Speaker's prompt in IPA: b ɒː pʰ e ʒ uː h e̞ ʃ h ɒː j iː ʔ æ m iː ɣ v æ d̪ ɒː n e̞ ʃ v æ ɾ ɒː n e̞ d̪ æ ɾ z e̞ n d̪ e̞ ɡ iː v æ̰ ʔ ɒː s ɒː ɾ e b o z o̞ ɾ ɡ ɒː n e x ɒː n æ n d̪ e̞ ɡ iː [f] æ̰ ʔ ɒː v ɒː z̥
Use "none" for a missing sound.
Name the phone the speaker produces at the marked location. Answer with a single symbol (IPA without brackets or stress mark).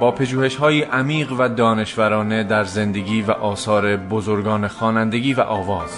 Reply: v